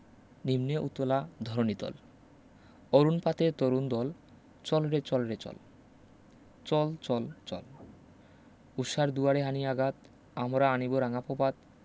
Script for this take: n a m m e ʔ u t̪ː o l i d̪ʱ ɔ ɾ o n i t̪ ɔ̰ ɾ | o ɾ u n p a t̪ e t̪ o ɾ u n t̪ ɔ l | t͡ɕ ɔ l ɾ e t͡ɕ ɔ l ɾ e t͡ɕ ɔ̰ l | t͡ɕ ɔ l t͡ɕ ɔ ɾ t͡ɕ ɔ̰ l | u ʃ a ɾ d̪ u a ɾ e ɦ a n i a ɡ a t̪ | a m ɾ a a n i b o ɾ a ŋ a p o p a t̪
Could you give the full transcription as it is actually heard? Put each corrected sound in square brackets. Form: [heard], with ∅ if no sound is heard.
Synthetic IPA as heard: n [i] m [n] e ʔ u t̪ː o l [a] d̪ʱ ɔ ɾ o n i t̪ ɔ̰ [l] | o ɾ u n p a t̪ e t̪ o ɾ u n [d̪] ɔ l | t͡ɕ ɔ l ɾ e t͡ɕ ɔ l ɾ e t͡ɕ ɔ̰ l | t͡ɕ ɔ l t͡ɕ ɔ [l] t͡ɕ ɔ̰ l | u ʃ a ɾ d̪ u a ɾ e ɦ a n i a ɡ a t̪ | a m ɾ a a n i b o ɾ a ŋ a p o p a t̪